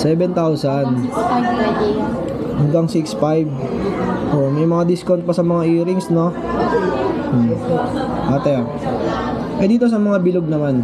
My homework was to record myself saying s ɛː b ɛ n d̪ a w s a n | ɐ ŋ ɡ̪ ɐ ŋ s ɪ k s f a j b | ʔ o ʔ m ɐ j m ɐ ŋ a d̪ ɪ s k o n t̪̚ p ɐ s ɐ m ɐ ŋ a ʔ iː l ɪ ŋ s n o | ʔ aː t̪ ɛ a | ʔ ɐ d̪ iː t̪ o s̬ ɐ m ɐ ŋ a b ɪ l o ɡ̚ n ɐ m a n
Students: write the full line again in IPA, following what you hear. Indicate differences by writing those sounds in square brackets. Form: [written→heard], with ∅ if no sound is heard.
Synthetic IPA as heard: s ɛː b ɛ n [d̪→t̪] a w s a n | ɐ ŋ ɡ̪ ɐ ŋ s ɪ k s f a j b | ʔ o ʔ m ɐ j m ɐ ŋ a d̪ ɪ s k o n t̪̚ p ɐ s ɐ m ɐ ŋ a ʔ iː [l→ɾ] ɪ ŋ s n o | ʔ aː t̪ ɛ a | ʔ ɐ d̪ iː t̪ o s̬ ɐ m ɐ ŋ a b ɪ l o ɡ̚ n ɐ m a n